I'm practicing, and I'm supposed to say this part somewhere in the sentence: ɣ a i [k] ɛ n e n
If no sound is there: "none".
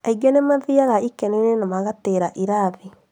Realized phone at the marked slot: k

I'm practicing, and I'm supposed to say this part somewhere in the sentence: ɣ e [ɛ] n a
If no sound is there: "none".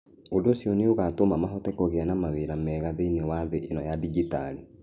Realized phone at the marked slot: a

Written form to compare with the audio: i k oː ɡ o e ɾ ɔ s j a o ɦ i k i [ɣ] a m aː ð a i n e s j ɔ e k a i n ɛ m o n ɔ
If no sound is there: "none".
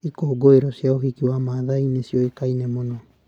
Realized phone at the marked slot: w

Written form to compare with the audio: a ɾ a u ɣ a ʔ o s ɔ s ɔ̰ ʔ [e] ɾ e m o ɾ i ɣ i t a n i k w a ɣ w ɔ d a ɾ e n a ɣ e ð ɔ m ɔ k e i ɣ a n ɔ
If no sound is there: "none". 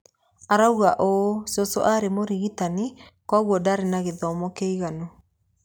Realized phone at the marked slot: a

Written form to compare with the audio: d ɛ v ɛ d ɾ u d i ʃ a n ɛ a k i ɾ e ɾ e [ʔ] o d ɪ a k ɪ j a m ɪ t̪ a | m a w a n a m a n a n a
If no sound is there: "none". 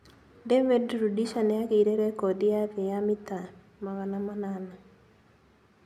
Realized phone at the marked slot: k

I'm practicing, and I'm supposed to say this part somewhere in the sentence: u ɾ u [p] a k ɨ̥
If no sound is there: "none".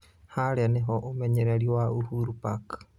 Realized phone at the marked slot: p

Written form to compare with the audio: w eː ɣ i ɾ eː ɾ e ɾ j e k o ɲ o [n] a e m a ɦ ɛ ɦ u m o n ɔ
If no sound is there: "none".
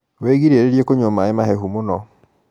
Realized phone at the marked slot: m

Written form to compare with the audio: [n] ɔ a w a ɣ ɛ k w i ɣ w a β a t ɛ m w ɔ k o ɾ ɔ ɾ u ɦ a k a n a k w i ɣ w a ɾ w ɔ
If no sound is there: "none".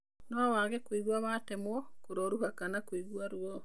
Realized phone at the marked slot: n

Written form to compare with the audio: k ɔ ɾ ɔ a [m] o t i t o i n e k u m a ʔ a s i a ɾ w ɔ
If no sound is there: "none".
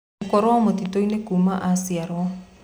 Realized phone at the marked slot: m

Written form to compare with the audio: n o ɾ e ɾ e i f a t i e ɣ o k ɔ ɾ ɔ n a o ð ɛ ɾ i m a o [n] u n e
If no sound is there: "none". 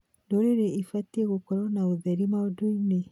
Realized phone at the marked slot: d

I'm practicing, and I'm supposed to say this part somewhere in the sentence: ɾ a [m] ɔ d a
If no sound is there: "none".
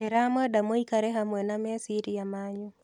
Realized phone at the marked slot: m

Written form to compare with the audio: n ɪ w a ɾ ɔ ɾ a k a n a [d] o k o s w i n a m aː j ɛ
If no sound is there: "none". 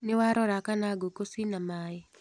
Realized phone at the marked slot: ɡ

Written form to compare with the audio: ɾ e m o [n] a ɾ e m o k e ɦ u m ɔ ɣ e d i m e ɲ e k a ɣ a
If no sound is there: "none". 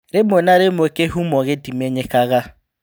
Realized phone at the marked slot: n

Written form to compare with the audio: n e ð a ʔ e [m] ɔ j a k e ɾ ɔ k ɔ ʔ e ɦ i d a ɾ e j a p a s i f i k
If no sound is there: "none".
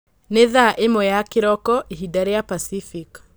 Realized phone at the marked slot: m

